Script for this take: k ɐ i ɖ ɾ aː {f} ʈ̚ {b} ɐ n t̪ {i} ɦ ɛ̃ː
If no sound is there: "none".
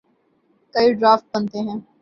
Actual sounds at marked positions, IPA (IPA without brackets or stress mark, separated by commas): f, b, e